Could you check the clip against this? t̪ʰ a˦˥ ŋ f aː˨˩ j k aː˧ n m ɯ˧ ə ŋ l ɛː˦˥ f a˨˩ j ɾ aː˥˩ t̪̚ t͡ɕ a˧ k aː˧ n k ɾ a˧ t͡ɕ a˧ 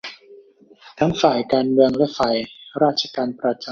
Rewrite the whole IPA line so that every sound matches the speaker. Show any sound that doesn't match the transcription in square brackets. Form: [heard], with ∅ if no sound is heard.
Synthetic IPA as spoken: t̪ʰ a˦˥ ŋ f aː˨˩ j k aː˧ n m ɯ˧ ə ŋ l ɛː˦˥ f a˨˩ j ɾ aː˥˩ t̪̚ [t͡ɕʰ] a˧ k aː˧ n [p] ɾ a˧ t͡ɕ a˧